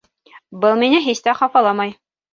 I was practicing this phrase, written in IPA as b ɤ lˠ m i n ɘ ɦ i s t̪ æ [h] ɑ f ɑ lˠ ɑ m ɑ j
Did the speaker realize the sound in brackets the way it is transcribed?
no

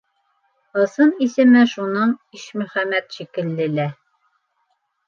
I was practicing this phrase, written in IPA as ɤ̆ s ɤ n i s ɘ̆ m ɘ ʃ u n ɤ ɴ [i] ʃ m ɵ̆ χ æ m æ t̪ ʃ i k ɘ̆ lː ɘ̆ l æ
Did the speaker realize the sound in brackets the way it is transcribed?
yes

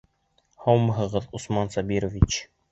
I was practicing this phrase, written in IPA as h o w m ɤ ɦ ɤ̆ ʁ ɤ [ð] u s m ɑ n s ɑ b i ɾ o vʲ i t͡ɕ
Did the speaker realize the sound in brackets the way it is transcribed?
yes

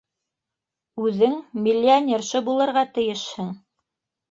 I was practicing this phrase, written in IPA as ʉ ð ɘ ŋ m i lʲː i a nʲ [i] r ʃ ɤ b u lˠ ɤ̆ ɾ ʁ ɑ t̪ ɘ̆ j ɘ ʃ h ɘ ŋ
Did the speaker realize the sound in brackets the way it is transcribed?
no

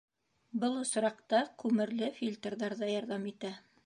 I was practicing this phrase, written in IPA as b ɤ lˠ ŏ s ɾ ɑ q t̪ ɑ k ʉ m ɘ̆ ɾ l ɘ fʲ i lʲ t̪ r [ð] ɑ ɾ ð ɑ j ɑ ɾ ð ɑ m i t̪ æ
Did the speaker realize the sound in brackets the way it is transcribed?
yes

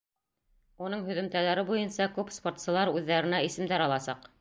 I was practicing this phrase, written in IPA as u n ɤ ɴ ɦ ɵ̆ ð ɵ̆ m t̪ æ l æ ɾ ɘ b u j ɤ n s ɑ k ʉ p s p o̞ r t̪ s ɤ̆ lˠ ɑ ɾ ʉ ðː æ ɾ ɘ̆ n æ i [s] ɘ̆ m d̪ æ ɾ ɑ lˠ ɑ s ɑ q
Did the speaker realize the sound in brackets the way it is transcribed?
yes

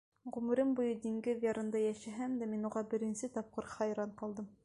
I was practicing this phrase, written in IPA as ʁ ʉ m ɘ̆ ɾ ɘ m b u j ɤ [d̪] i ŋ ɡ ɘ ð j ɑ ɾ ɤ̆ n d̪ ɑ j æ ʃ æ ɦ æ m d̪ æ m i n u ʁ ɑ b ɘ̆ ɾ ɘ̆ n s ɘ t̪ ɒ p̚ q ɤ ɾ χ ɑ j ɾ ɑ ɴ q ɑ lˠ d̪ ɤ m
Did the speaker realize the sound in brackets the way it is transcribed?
yes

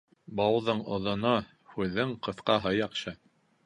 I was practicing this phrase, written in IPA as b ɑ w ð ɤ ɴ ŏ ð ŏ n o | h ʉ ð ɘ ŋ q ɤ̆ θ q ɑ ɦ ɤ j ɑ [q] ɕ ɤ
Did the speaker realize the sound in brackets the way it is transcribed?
yes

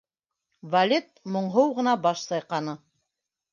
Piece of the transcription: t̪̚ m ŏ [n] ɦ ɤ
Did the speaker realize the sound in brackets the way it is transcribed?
no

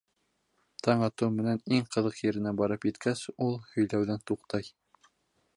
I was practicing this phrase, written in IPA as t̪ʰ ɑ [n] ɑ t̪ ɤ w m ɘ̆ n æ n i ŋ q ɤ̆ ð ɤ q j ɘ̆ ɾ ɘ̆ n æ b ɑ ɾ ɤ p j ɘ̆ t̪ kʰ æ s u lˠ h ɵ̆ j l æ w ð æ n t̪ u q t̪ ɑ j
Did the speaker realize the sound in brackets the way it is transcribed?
no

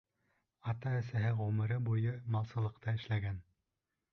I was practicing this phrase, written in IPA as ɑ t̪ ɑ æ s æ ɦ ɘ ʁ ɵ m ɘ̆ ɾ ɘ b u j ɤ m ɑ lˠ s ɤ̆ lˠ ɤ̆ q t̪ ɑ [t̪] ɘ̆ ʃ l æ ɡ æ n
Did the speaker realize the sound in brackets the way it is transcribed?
no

